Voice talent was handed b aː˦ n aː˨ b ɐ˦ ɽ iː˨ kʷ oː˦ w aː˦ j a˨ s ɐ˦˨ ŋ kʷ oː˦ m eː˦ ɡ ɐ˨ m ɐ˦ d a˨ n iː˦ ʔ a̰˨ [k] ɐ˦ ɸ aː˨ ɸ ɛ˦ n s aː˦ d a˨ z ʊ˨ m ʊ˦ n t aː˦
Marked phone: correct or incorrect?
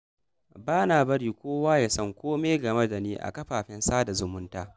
correct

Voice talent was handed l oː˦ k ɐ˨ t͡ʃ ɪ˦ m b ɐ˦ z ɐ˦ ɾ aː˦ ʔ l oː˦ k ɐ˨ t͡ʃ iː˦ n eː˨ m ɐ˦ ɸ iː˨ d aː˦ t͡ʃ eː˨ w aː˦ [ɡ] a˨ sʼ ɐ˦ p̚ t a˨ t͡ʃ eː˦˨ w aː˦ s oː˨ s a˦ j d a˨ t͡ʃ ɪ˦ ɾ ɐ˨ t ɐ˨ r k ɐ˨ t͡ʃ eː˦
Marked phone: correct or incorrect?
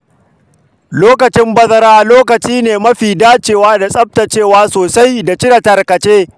incorrect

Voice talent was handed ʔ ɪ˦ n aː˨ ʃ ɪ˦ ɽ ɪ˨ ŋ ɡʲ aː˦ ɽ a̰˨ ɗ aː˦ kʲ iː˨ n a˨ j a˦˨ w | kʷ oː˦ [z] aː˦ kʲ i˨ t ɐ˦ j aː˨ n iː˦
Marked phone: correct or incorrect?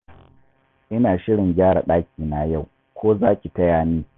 correct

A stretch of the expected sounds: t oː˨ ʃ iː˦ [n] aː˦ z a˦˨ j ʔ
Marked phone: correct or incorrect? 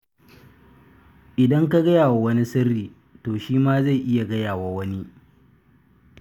incorrect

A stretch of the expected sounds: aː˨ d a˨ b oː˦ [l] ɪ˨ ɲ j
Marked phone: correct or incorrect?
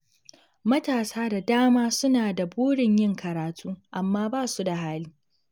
incorrect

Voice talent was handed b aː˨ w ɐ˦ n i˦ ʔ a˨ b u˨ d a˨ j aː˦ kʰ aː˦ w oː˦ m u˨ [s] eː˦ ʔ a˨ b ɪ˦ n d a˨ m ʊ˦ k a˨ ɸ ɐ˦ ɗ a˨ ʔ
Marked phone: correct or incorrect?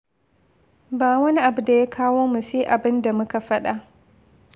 correct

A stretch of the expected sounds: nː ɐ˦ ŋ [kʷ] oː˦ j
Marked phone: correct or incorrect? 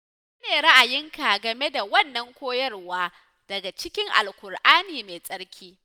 correct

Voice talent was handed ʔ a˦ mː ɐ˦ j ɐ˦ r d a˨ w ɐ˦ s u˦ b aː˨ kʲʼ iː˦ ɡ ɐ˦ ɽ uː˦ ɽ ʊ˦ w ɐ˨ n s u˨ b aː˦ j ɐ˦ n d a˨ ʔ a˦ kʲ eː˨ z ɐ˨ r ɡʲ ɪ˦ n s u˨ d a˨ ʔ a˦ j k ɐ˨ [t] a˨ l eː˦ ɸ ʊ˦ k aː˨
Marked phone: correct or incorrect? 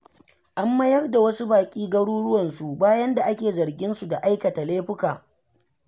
correct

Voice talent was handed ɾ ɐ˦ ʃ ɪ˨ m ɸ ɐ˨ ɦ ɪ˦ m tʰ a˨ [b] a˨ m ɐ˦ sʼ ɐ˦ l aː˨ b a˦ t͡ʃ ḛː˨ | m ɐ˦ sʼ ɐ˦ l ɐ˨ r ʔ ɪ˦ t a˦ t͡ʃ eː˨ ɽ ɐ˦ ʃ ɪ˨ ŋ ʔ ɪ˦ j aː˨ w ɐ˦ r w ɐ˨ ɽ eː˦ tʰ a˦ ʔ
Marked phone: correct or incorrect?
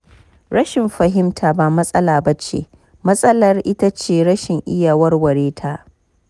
correct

